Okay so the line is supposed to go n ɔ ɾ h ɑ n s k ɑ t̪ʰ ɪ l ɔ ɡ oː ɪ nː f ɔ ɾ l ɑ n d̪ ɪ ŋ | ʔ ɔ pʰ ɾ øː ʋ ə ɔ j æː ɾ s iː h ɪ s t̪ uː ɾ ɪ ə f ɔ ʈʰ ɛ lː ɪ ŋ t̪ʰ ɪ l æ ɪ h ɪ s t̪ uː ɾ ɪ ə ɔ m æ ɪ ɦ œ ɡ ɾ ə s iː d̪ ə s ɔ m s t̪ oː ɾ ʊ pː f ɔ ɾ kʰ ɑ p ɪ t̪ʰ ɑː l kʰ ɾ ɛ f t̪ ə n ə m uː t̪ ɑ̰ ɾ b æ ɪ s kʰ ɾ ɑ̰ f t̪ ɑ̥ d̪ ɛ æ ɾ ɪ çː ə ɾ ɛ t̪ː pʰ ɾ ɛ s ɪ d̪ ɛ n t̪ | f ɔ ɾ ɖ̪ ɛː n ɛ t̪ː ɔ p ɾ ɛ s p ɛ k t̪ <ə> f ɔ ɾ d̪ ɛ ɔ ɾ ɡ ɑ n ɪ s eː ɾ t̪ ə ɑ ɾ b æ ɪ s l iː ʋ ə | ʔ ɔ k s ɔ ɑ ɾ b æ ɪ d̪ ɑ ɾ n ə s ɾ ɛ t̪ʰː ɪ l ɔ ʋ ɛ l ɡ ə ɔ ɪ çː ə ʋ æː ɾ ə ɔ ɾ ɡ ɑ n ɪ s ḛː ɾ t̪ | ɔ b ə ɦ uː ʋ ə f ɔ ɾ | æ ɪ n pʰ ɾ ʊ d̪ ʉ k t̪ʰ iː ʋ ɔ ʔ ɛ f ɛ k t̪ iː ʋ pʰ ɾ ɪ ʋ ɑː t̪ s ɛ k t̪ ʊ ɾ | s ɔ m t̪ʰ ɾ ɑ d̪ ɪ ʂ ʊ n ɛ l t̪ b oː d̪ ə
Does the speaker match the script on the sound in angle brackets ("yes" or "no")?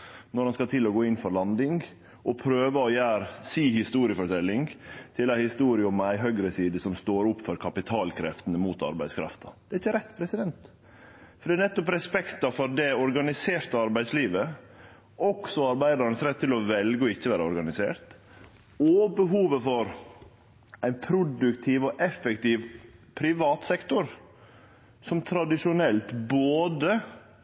no